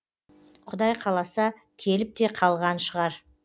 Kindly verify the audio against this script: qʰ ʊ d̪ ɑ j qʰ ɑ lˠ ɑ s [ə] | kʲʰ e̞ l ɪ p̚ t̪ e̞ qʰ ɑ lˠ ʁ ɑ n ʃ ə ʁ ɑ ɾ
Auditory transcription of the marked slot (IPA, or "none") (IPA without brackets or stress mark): ɑ